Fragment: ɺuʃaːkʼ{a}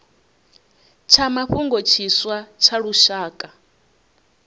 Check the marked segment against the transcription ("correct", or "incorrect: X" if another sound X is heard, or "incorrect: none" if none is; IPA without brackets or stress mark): correct